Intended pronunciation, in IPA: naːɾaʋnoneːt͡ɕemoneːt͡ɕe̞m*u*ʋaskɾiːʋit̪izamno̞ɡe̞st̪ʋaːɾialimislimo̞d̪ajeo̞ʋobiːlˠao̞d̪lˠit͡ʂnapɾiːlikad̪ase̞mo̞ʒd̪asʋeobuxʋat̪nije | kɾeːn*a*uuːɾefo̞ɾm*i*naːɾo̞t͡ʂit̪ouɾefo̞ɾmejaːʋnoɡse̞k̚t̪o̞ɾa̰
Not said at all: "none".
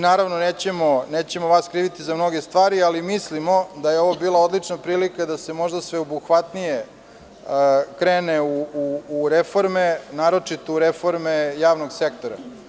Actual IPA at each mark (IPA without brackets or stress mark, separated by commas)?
o, e, e